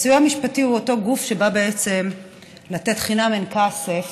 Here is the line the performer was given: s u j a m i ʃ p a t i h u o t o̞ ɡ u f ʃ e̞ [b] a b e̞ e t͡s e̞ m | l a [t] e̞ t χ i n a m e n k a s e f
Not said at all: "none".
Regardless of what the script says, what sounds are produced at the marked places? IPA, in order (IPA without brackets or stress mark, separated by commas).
b, t